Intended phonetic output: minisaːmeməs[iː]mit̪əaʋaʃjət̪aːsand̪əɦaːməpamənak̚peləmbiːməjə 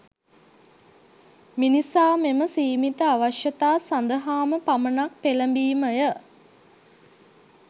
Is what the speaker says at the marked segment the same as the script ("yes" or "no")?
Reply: yes